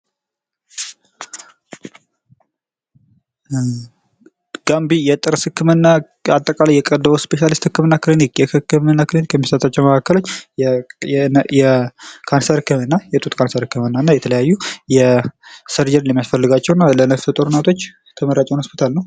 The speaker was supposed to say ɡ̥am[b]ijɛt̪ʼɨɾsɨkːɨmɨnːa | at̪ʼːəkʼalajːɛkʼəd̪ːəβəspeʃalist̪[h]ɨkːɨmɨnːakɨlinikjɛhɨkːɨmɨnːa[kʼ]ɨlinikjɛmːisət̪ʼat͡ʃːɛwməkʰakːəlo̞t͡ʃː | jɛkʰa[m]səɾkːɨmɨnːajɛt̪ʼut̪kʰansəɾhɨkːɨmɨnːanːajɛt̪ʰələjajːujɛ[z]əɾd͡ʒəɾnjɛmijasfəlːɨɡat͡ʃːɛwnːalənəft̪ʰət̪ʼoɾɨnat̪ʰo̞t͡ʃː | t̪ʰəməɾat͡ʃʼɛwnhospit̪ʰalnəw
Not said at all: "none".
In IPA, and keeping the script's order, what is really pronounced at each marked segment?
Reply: b, h, k, n, s

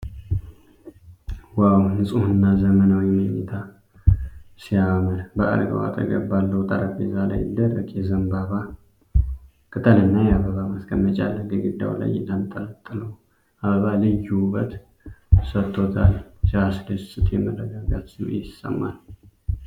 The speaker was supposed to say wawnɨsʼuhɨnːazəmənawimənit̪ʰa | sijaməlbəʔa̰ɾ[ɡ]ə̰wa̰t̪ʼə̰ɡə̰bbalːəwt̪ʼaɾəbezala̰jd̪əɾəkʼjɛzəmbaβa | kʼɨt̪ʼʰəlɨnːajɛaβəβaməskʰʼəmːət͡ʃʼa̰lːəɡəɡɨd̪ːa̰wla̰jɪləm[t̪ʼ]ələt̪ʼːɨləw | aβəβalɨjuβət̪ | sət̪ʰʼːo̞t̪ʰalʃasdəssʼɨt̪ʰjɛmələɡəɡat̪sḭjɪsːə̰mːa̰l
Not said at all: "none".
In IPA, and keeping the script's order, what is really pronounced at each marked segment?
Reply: ɡ, t̪ʼ

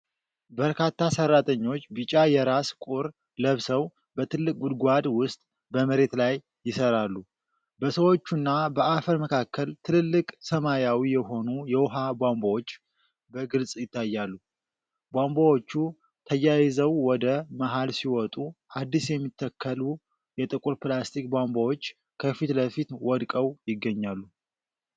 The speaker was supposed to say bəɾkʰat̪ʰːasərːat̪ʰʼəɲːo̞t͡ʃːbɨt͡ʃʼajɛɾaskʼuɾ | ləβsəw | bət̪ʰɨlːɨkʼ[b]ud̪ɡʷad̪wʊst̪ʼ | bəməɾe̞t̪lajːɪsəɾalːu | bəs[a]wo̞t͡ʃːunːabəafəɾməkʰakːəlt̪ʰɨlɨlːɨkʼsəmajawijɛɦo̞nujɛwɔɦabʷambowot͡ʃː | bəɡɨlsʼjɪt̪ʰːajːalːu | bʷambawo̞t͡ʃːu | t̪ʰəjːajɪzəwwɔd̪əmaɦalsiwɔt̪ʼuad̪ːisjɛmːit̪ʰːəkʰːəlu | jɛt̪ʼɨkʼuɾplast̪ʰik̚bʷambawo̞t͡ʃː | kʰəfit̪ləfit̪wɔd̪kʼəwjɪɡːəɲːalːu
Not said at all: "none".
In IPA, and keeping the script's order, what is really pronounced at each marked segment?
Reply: ɡ, ə

